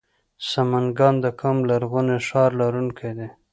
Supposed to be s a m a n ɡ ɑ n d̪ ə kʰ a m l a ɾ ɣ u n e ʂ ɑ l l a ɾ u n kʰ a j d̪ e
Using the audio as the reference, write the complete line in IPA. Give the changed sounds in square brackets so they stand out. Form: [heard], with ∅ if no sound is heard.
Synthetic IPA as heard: s a m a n ɡ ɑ n d̪ ə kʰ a m l a ɾ ɣ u n e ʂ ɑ [ɾ] l a ɾ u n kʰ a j d̪ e